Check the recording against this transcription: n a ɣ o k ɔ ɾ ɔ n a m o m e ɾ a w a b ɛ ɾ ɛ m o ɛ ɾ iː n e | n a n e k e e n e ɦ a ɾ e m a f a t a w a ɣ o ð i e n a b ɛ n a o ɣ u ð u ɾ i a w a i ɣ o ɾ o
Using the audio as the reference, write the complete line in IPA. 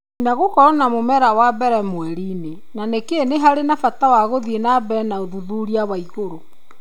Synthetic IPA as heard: n a ɣ o k ɔ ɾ ɔ n a m o m ɛ ɾ a w a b ɛ ɾ ɛ m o ɛ ɾ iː n e | n a n e k e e n e ɦ a ɾ e n a f a t a w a ɣ o ð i e n a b ɛ n a o ð u ð u ɾ i a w a i ɣ o ɾ o